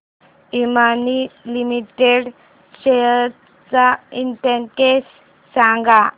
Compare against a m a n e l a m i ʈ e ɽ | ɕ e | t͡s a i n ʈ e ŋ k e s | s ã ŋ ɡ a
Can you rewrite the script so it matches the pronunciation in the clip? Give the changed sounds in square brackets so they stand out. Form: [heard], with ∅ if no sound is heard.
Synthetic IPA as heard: [i] m a n [i] l [i] m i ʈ e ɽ | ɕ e | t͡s a i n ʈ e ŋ k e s | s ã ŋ ɡ a